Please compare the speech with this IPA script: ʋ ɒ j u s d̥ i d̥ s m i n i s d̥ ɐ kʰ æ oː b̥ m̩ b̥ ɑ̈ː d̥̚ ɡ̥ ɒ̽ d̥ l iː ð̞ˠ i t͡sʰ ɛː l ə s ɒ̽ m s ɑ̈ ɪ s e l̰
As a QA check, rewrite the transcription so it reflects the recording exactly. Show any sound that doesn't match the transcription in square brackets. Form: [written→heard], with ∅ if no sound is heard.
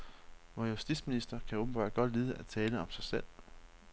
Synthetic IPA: ʋ ɒ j u s d̥ i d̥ s m i n i s d̥ ɐ kʰ æ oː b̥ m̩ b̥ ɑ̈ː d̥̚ ɡ̥ ɒ̽ d̥ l iː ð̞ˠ [i→æ] t͡sʰ ɛː l ə [s→∅] ɒ̽ m s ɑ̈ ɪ s e l̰